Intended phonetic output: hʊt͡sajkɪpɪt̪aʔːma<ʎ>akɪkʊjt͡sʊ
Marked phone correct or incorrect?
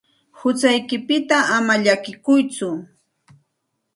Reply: correct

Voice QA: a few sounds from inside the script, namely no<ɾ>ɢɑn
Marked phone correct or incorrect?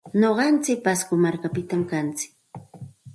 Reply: incorrect: none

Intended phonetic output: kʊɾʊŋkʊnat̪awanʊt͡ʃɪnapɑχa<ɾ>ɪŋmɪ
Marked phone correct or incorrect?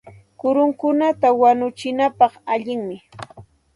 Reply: incorrect: ʎ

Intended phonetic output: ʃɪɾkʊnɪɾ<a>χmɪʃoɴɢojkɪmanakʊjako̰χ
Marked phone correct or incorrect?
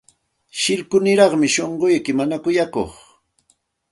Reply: incorrect: ɑ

